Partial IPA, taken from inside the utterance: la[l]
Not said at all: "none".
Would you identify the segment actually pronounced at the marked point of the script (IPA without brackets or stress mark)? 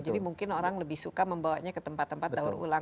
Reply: none